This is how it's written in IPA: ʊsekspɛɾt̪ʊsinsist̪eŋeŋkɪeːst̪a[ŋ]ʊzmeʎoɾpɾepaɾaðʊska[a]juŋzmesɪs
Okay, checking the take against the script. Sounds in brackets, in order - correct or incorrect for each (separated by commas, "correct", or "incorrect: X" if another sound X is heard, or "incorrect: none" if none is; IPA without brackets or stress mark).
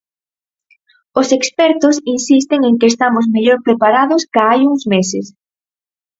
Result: incorrect: m, correct